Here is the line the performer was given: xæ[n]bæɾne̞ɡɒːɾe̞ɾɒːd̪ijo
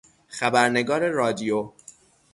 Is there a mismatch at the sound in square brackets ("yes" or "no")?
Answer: yes